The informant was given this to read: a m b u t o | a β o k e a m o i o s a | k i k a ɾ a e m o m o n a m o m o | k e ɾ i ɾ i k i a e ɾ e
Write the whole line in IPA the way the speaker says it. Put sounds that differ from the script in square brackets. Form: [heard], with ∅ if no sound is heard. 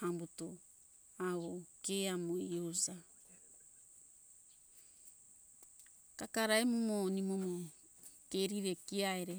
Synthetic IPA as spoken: a m b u t o | a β o k e a m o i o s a | k [a] k a ɾ a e m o m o n [i] m o m o | k e ɾ i ɾ [e] k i a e ɾ e